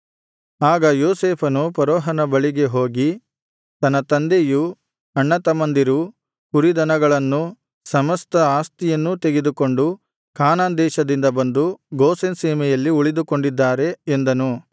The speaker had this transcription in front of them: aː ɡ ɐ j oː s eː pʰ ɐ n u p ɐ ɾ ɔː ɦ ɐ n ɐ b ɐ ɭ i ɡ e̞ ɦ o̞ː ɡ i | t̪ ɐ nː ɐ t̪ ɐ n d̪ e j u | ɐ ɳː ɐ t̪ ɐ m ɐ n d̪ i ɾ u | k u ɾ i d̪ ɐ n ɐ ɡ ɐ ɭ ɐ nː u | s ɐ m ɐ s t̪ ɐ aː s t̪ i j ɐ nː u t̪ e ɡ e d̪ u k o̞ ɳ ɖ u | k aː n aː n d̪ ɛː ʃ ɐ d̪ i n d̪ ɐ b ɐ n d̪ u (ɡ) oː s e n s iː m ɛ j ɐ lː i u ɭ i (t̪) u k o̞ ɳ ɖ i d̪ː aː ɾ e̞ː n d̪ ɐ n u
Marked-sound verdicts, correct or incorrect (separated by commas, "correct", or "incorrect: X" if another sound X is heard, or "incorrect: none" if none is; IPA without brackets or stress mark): correct, incorrect: d̪